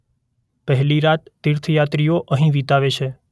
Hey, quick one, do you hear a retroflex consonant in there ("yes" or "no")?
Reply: no